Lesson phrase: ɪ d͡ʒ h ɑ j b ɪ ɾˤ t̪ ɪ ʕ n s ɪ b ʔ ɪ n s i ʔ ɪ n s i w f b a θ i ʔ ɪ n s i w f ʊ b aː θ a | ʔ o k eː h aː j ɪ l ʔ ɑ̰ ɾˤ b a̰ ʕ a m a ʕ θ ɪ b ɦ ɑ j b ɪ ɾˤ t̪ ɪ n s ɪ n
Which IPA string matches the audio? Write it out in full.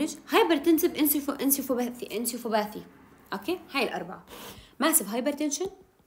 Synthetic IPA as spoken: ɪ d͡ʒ h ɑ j b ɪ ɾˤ t̪ ɪ n s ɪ b ʔ ɪ n s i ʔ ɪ n s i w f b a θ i ʔ ɪ n s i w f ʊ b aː θ i | ʔ o k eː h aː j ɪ l ʔ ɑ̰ ɾˤ b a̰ ʕ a m a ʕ s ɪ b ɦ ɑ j b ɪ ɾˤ t̪ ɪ n ʃ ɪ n

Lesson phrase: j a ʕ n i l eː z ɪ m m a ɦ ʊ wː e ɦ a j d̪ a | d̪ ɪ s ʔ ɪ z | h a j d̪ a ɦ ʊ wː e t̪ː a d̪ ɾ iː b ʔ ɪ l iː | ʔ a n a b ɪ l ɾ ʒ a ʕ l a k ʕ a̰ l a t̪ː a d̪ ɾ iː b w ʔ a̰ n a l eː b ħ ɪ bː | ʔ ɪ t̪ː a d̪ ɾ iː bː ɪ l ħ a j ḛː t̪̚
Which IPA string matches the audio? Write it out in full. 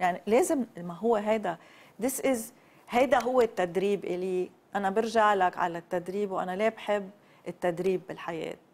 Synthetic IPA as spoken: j a ʕ n i l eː z ɪ m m a ɦ ʊ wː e ɦ a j d̪ a | d̪ ɪ s ʔ ɪ z | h a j d̪ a ɦ ʊ wː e t̪ː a d̪ ɾ iː b ʔ ɪ l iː | ʔ a n a b ɪ ɾ ʒ a ʕ l a k ʕ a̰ l a t̪ː a d̪ ɾ iː b w ʔ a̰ n a l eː b ħ ɪ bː | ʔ ɪ t̪ː a d̪ ɾ iː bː ɪ l ħ a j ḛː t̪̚

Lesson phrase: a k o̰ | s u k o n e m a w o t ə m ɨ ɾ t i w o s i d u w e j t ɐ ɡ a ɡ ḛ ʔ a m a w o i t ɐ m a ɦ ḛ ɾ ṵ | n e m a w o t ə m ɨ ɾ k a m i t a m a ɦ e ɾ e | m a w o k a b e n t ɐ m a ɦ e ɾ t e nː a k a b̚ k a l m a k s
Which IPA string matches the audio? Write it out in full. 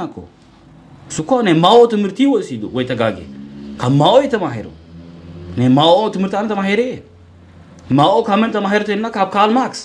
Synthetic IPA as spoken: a k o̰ | s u k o n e m a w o t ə m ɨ ɾ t i w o s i d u w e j t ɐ ɡ a ɡ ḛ k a m a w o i t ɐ m a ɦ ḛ ɾ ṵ | n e m a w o t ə m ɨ ɾ t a n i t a m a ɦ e ɾ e | m a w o k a m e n t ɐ m a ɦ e ɾ t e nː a k a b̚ k a l m a k s

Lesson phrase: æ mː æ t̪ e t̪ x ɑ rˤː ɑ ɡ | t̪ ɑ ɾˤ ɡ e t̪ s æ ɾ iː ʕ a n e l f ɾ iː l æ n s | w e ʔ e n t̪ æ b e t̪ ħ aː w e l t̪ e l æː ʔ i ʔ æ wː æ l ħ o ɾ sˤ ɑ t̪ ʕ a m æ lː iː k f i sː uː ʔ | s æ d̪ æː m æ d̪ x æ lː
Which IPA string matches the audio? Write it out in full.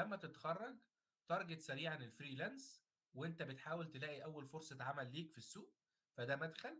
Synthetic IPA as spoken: æ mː æ t̪ e t̪ x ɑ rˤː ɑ ɡ | t̪ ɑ ɾˤ ɡ e t̪ s æ ɾ iː ʕ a n e l f ɾ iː l æ n s | w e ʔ e n t̪ æ b e t̪ ħ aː w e l t̪ e l æː ʔ i ʔ æ wː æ l f o ɾ sˤ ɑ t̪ ʕ a m æ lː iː k f i sː uː ʔ | f æ d̪ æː m æ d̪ x æ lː

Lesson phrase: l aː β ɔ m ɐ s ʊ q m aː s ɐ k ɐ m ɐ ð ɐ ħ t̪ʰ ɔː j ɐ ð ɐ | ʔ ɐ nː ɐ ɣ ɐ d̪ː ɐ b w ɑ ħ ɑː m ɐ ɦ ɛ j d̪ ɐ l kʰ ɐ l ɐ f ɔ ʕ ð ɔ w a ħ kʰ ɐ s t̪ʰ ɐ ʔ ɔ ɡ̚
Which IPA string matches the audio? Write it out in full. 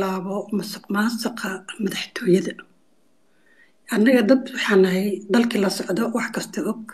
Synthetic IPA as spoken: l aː β ɔ m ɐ s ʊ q m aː s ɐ q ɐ m ɐ ð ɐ ħ t̪ʰ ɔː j ɐ ð ɐ | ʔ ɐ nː ɐ ɣ ɐ d̪ ɐ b w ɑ ħ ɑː n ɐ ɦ ɛ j d̪ ɐ l kʰ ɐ l ɐ s ɔ ʕ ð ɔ w ɑ ħ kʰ ɐ s t̪ʰ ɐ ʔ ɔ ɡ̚

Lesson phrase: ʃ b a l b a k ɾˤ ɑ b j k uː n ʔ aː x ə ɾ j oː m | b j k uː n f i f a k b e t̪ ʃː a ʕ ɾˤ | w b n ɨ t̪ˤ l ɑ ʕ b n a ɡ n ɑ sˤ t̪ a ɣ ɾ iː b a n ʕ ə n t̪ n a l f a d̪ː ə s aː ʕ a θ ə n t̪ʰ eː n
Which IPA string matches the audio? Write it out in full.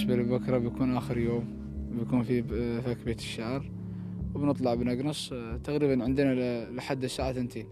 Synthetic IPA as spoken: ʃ b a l b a k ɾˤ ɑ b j k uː n ʔ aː x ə ɾ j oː m | b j k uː n f i f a k b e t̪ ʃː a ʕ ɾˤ | w b n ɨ t̪ˤ l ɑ ʕ b n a ɡ n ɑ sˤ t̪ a ɣ ɾ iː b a n ʕ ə n d̪ n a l ħ a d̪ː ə s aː ʕ a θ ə n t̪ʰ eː n

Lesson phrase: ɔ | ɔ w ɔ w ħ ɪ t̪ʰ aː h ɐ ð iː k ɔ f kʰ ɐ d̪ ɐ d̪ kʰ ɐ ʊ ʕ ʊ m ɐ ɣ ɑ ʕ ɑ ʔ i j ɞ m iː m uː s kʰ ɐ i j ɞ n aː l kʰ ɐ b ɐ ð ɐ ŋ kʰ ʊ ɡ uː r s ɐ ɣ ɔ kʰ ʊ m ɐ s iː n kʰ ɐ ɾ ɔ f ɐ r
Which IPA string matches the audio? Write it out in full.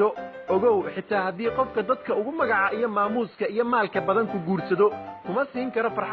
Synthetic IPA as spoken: ɔ | ɔ ɣ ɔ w ħ ɪ t̪ʰ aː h ɐ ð iː q ɔ f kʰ ɐ d̪ ɐ d̪ kʰ ɐ ʊ ɣ ʊ m ɐ ɣ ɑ ʕ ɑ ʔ i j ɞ m aː m uː s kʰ ɐ i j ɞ m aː l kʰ ɐ b ɐ ð ɐ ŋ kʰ ʊ ɡ uː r s ɐ ð ɔ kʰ ʊ m ɐ s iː ŋ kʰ ɐ ɾ ɔ f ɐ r

